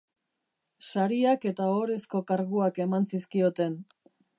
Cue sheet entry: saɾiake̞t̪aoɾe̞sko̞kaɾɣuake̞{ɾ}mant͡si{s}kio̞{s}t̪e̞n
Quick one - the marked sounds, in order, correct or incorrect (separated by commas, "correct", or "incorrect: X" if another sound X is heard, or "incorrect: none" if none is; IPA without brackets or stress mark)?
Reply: incorrect: none, correct, incorrect: none